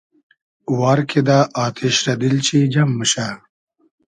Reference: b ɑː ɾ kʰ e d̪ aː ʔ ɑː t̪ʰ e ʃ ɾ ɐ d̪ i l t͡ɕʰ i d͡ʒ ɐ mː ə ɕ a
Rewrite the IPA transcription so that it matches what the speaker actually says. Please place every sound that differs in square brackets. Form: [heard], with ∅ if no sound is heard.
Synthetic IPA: [w] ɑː ɾ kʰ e d̪ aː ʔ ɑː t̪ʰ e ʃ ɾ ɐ d̪ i l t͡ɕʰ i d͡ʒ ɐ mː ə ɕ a